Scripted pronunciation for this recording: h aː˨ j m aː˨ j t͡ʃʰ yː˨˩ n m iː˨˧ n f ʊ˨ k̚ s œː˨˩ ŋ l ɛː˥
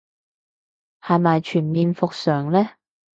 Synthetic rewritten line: h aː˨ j m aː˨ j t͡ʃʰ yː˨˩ n m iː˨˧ n f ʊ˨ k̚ s œː˨˩ ŋ l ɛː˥